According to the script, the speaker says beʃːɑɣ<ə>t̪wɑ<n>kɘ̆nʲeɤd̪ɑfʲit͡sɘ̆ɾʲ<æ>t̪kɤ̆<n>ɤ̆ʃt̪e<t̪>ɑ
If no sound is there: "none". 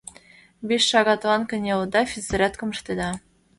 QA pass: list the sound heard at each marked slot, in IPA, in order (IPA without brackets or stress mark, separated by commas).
ɑ, n, æ, m, d̪